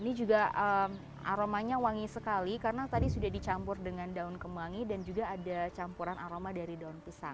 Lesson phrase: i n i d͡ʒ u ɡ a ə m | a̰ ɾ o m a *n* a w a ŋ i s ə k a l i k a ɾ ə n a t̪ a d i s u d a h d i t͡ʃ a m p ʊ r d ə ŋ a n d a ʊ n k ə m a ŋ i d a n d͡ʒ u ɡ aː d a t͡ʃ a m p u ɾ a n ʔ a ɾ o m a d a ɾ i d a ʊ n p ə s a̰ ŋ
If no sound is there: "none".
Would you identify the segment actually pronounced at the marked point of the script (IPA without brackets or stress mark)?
ɲ